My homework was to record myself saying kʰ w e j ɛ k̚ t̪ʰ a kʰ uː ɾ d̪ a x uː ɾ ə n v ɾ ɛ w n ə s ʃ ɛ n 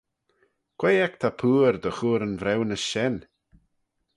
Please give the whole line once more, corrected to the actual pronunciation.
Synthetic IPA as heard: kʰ w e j ɛ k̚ t̪ʰ a pʰ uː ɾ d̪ ə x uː ɾ ə n v ɾ ɛ w n ə s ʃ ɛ n